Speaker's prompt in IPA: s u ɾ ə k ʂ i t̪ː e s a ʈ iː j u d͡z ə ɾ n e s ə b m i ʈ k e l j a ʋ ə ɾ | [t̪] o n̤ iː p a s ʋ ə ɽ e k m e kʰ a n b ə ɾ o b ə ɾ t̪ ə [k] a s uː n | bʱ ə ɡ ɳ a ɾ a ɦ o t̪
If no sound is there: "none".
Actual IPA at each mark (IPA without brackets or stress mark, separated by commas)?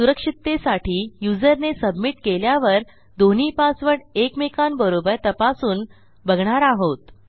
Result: d̪, p